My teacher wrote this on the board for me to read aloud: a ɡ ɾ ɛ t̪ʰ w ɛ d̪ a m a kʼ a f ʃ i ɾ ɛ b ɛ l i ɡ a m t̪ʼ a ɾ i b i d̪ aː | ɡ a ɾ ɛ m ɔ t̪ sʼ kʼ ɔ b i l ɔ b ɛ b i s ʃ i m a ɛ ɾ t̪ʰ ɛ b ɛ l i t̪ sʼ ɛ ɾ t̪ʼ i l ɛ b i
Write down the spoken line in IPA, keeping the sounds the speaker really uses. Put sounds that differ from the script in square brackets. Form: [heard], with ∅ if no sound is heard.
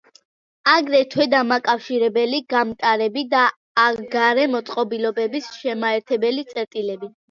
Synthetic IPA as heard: a ɡ ɾ ɛ t̪ʰ w ɛ d̪ a m a kʼ a f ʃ i ɾ ɛ b ɛ l i ɡ a m t̪ʼ a ɾ [ɛ] b i d̪ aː | ɡ a ɾ ɛ m ɔ t̪ sʼ [qʼ] ɔ b i l ɔ b ɛ b i s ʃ [ɛ] m a ɛ ɾ t̪ʰ ɛ b ɛ l i t̪ sʼ ɛ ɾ t̪ʼ i l ɛ b i